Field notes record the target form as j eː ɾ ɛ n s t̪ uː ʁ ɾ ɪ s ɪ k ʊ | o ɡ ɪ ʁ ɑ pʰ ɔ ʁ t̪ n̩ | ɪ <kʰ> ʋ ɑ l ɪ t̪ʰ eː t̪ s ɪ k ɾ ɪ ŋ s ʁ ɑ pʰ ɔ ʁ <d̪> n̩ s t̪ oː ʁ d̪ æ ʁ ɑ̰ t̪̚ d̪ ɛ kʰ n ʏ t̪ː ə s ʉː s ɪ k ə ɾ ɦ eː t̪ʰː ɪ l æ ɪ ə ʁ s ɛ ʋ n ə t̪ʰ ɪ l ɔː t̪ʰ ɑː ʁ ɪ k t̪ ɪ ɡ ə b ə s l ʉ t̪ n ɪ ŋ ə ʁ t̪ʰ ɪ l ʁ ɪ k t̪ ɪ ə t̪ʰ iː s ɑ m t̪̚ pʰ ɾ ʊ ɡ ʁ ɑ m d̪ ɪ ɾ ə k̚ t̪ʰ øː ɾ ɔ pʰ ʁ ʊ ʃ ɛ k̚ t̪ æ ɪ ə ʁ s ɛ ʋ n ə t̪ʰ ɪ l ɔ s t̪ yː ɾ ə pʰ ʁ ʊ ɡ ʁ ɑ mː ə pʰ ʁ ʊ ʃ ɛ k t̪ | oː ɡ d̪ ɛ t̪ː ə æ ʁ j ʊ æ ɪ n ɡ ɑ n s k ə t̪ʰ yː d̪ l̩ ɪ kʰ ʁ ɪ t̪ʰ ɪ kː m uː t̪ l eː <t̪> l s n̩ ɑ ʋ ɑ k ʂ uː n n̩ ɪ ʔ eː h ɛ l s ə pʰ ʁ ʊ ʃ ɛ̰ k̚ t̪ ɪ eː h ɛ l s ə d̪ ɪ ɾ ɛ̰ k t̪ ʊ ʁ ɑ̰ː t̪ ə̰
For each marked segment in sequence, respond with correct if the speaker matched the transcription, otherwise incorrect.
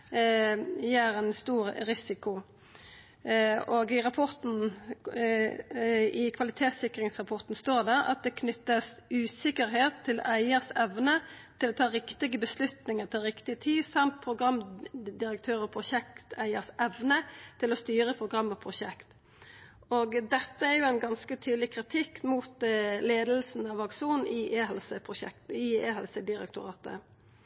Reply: correct, incorrect, incorrect

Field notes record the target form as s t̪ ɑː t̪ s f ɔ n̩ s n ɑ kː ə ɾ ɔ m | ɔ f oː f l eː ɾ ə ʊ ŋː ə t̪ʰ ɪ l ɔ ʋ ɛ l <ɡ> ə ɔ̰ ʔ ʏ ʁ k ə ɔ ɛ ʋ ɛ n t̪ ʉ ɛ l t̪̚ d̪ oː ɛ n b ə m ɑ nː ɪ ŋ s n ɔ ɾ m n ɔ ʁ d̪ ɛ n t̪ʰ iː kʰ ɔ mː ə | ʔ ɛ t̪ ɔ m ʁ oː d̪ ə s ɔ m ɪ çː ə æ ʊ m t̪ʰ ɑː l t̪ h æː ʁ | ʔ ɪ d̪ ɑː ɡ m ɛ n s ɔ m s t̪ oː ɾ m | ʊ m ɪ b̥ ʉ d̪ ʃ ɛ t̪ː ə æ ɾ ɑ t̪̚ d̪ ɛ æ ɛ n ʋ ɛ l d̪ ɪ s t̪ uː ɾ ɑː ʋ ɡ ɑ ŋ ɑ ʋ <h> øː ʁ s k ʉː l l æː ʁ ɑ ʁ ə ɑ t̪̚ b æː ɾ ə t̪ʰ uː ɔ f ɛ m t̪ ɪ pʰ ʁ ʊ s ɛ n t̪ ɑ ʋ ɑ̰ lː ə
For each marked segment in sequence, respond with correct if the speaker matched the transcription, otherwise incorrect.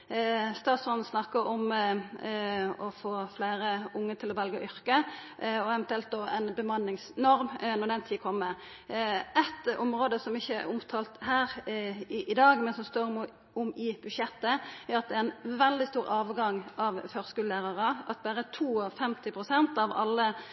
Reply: correct, incorrect

